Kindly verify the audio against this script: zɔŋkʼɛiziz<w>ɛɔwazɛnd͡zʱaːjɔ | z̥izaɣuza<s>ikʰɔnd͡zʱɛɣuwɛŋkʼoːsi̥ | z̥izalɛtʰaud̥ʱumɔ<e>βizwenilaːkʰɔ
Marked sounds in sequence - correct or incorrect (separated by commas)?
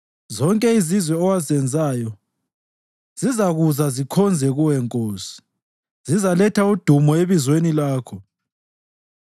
correct, incorrect, correct